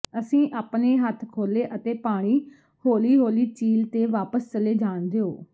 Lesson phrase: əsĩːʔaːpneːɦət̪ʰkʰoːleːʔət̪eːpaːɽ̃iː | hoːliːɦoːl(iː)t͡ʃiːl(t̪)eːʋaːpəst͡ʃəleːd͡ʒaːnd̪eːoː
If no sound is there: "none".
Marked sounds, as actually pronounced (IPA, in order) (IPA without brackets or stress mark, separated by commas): iː, t̪